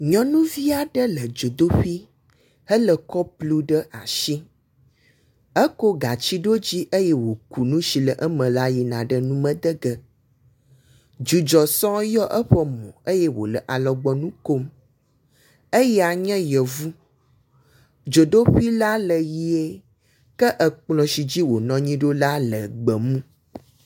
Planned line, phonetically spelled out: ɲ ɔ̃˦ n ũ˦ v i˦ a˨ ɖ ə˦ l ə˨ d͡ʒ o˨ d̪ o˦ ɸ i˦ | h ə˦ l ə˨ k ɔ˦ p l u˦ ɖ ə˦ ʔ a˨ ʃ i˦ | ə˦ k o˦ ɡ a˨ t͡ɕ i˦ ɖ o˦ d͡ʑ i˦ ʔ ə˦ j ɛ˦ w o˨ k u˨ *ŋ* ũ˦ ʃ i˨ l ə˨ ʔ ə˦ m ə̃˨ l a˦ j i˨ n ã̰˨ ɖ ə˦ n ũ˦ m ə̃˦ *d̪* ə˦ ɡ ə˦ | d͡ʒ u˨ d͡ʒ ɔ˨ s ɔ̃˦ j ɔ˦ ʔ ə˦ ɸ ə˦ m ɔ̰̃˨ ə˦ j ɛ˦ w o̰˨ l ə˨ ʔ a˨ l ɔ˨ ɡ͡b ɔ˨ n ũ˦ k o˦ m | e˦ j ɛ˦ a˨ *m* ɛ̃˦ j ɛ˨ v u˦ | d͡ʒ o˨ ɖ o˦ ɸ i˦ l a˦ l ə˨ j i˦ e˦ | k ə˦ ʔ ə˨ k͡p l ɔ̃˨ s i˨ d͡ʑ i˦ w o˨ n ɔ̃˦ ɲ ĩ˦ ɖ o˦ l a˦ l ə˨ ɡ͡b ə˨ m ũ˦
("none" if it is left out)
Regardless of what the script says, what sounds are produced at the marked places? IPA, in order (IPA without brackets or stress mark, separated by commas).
n, d̪, ɲ